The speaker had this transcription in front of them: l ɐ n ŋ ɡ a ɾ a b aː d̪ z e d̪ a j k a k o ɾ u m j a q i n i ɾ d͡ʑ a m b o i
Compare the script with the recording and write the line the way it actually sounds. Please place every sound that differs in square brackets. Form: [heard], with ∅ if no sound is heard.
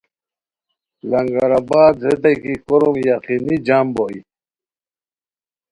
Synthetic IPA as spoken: l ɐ [∅] ŋ ɡ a ɾ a b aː d̪ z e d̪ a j k [i] k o ɾ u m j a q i n i [∅] d͡ʑ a m b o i